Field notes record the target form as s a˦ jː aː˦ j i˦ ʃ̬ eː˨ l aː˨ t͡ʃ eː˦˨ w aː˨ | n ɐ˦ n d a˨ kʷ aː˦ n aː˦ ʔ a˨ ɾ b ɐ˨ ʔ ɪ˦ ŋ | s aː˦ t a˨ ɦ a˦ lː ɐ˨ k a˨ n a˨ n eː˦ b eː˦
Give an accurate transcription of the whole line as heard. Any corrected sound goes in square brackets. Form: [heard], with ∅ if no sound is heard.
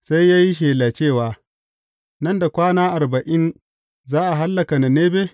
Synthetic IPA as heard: s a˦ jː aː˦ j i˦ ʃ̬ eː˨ l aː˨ t͡ʃ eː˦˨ w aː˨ | n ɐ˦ n d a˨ kʷ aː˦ n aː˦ ʔ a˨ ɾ b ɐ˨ ʔ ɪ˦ [n] | [z] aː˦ [ʔ] a˨ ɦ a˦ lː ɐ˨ k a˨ n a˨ n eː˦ b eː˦